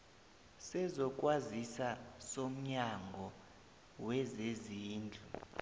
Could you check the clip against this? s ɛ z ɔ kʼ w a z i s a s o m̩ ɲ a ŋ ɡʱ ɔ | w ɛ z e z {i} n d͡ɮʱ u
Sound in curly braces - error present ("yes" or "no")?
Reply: yes